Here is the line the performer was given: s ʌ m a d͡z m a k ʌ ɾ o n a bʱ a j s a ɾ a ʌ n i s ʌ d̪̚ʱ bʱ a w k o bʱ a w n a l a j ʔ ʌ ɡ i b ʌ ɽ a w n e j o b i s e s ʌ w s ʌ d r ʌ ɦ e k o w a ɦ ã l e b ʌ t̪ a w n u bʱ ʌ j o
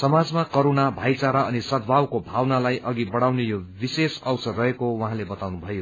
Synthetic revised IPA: s ʌ m a d͡z m a k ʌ ɾ o n a bʱ a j t͡s a ɾ a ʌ n i s ʌ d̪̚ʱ bʱ a w k o bʱ a w n a l a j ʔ ʌ ɡ i b ʌ ɽ a w n e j o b i s e s ʌ w s ʌ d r ʌ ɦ e k o w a ɦ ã l e b ʌ t̪ a w n u bʱ ʌ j o